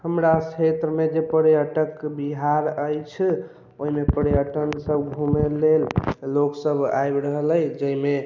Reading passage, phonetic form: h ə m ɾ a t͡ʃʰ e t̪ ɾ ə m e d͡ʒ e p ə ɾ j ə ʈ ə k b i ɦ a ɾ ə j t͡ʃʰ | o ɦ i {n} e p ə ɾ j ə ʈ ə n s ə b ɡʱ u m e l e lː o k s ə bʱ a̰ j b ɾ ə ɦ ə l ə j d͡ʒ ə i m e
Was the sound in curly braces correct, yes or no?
no